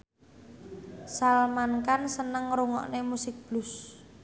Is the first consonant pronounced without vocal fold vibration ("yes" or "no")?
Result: yes